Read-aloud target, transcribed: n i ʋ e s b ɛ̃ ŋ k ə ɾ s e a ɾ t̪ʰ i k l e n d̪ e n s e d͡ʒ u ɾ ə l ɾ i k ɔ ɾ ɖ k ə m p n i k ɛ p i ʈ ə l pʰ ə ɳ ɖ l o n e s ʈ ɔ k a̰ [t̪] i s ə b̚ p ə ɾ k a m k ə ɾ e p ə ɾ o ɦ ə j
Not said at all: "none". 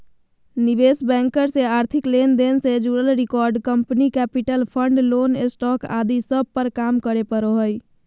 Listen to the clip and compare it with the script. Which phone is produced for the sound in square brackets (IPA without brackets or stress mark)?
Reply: d̪